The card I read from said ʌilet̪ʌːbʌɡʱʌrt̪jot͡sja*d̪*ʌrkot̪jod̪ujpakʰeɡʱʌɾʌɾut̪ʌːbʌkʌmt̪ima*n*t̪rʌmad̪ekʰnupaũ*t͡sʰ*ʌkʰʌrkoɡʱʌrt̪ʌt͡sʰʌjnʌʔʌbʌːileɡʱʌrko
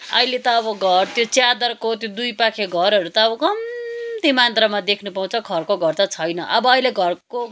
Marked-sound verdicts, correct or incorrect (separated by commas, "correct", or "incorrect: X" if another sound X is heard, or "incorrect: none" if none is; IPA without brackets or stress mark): correct, correct, correct